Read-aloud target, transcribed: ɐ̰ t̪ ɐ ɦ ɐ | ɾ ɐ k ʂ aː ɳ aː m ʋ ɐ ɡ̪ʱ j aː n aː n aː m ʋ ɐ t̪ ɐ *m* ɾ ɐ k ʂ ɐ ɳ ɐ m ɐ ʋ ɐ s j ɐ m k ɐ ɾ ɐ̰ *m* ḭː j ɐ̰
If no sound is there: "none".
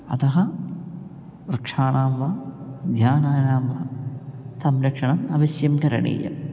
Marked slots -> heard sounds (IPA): m, ɳ

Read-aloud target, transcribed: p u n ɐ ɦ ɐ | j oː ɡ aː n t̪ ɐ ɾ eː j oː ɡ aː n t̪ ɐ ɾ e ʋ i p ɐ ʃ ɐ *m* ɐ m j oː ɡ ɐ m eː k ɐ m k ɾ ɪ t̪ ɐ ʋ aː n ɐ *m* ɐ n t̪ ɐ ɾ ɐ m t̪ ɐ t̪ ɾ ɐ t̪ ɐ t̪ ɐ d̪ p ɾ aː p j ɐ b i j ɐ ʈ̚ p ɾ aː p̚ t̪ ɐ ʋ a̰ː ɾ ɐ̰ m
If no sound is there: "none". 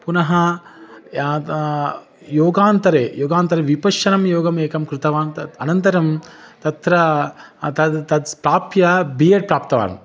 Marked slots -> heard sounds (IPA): n, n

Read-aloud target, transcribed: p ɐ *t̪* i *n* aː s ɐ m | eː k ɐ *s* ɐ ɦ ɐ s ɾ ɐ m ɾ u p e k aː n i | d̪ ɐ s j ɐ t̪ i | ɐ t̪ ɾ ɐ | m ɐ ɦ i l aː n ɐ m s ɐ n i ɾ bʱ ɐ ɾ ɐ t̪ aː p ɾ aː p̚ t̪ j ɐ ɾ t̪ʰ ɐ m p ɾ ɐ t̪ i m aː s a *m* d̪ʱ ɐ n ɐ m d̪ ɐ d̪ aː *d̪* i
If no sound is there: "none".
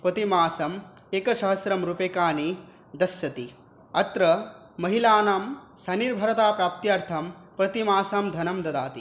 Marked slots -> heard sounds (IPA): t̪, m, ʃ, m, t̪

